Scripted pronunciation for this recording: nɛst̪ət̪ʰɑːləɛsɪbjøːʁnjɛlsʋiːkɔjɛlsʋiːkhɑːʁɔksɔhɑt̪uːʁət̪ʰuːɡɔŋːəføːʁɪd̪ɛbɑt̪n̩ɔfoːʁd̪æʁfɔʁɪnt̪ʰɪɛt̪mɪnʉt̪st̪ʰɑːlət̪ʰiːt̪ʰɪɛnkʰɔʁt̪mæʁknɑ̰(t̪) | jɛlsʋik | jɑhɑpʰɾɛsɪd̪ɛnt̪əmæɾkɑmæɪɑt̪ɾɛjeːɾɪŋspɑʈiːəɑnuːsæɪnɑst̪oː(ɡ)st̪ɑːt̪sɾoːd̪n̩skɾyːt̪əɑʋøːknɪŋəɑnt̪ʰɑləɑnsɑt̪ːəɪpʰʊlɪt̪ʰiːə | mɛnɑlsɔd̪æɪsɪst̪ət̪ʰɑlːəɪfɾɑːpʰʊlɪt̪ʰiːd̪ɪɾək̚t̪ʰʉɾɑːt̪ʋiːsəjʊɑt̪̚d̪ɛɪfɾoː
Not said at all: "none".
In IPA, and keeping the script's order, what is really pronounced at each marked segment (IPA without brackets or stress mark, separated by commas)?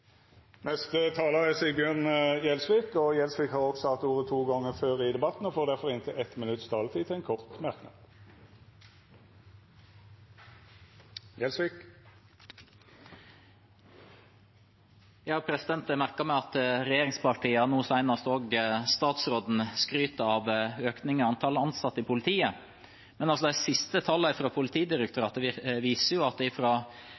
d̪, ɡ